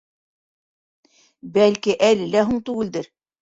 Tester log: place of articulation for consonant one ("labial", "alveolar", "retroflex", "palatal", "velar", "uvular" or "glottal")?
labial